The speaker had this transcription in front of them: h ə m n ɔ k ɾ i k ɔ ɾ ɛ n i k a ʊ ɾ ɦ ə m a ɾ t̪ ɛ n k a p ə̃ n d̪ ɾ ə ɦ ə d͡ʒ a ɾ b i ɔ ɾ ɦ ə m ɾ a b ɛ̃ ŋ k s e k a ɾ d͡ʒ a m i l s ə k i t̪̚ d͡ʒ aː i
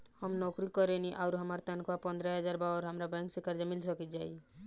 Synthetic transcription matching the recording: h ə m n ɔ k ɾ i k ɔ ɾ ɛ n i ʔ a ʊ ɾ ɦ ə m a ɾ t̪ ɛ n k a p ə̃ n d̪ ɾ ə ɦ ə d͡ʒ a ɾ b a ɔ ɾ ɦ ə m ɾ a b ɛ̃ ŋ k s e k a ɾ d͡ʒ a m i l s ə k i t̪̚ d͡ʒ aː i